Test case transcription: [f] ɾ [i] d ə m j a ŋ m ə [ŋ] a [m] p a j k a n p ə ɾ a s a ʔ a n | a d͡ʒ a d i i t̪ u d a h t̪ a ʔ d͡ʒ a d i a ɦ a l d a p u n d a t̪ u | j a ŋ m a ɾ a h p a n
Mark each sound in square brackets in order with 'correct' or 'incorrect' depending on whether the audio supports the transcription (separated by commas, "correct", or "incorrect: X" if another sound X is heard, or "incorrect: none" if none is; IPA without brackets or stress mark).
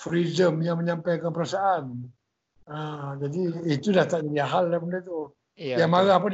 correct, correct, incorrect: ɲ, correct